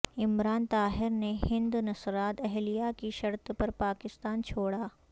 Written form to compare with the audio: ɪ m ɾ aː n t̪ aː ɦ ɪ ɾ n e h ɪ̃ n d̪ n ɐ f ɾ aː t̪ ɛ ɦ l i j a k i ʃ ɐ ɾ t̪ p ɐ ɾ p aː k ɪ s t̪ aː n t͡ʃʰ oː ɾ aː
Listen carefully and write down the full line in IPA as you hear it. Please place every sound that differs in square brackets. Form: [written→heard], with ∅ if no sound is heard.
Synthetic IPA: ɪ m ɾ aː n t̪ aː ɦ ɪ ɾ n e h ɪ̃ n d̪ n ɐ [f→s] ɾ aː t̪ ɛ ɦ l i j a k i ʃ ɐ ɾ t̪ p ɐ ɾ p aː k ɪ s t̪ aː n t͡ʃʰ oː [ɾ→ɽ] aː